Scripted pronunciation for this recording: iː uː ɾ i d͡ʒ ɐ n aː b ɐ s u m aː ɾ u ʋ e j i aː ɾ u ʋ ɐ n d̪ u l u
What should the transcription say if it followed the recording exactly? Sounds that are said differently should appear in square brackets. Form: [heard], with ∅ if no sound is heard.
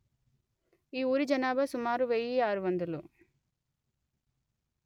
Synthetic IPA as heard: iː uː ɾ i d͡ʒ ɐ n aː b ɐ s u m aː ɾ u ʋ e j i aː ɾ u ʋ ɐ n d̪ u l u